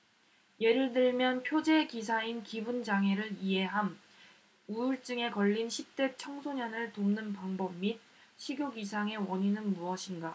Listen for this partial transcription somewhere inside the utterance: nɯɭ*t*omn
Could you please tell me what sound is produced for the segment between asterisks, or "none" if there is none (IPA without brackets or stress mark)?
t